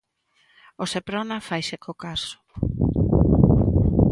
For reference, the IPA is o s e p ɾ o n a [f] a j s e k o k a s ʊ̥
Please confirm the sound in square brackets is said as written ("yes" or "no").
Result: yes